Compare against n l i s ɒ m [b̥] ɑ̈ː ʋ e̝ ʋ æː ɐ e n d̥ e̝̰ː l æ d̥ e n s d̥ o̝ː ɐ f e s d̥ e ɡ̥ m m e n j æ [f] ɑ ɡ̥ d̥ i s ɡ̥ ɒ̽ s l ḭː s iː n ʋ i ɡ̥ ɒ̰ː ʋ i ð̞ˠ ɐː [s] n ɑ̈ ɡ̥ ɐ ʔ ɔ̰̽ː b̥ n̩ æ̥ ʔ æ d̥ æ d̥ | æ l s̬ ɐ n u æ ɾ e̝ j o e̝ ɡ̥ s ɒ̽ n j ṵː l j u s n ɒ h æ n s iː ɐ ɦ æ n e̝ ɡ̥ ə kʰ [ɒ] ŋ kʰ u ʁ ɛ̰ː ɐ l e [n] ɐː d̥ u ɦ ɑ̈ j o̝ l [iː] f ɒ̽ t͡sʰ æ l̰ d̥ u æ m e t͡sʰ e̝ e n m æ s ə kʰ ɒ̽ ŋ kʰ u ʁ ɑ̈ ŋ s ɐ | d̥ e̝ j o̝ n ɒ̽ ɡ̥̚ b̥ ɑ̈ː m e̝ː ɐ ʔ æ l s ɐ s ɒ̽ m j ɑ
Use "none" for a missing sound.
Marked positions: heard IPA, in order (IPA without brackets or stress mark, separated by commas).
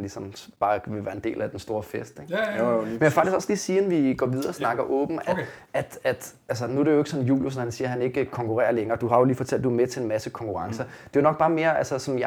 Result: b̥, f, s, ɒ, ŋ, iː